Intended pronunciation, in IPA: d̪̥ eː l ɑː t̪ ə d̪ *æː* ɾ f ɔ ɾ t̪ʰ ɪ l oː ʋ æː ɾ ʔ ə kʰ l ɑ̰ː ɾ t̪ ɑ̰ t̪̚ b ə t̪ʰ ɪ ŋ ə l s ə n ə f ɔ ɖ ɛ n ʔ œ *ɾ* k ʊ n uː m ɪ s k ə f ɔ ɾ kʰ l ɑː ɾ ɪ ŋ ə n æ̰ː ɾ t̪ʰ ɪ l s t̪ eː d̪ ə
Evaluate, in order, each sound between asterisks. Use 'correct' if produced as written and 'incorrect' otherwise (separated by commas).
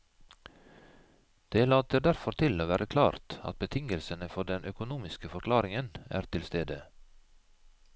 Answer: incorrect, incorrect